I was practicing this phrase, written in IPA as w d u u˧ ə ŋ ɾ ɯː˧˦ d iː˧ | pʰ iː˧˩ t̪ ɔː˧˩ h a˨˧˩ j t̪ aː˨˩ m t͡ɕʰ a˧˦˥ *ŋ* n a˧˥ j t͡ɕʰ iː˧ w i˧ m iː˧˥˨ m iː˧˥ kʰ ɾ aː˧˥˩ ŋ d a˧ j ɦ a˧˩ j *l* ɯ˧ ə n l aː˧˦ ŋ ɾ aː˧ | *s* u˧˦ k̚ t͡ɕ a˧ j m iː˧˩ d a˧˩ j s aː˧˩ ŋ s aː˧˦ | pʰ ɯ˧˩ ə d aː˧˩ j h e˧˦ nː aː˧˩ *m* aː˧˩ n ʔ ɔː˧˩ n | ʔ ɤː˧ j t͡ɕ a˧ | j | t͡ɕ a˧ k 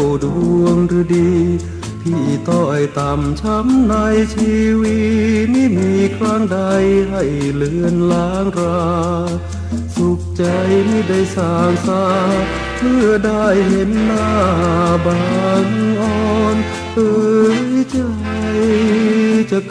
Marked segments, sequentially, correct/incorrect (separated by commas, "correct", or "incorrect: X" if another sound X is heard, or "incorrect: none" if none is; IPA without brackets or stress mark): incorrect: m, correct, correct, incorrect: b